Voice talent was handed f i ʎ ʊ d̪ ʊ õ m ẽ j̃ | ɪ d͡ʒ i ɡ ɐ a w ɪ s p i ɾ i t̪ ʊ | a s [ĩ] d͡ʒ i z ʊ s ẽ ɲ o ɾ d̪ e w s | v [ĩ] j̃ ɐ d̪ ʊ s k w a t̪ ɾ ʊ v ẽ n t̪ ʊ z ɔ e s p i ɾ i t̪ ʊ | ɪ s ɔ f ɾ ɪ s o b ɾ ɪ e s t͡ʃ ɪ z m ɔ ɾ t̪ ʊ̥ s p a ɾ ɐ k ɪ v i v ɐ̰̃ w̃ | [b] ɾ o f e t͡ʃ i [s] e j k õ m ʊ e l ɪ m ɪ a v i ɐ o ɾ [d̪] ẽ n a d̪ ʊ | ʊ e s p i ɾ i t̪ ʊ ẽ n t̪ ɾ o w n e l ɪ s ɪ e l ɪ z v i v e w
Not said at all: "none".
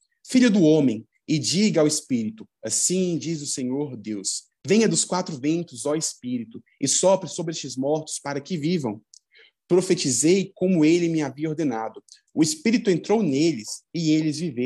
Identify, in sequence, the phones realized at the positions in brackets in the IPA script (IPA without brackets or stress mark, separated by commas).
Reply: ĩ, ẽ, p, z, d̪